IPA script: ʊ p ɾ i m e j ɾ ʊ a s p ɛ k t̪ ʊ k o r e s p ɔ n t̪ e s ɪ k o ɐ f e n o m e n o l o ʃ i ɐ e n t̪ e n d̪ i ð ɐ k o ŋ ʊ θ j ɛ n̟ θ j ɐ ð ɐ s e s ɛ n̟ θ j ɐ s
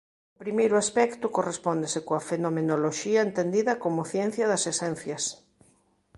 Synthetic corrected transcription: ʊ p ɾ i m e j ɾ ʊ a s p ɛ k t̪ ʊ k o r e s p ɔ n d̪ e s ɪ k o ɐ f e n o m e n o l o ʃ i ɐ e n t̪ e n d̪ i ð ɐ k o m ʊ θ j ɛ n̟ θ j ɐ ð ɐ s e s ɛ n̟ θ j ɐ s